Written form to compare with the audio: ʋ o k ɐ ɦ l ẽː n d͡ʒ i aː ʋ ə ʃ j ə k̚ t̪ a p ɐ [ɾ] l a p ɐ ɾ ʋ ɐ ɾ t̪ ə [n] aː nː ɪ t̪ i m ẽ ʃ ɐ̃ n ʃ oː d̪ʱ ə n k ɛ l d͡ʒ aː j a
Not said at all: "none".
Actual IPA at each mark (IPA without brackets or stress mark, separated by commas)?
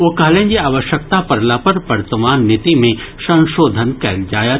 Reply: ɾ, m